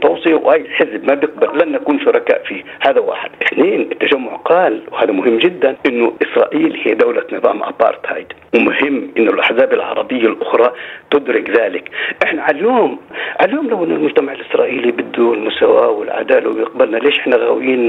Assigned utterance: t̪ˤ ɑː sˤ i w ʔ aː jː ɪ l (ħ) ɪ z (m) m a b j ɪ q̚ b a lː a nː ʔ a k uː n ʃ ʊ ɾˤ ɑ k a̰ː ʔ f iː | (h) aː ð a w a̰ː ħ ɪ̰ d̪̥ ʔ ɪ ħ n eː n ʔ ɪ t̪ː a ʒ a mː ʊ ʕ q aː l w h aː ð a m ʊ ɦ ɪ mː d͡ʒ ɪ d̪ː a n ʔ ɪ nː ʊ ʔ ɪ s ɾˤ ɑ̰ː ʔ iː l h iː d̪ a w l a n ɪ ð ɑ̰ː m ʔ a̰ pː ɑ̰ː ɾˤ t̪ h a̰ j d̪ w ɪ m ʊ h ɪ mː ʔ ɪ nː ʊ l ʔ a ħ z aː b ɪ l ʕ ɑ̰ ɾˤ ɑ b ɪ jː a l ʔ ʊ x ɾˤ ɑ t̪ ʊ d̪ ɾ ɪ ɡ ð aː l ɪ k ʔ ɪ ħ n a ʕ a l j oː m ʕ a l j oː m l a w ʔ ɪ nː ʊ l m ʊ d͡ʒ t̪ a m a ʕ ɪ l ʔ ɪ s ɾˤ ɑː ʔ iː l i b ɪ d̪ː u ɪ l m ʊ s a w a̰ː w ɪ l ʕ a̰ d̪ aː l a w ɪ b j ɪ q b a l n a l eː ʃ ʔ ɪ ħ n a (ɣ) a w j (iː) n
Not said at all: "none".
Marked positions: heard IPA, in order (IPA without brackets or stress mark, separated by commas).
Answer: ħ, b, h, ɣ, iː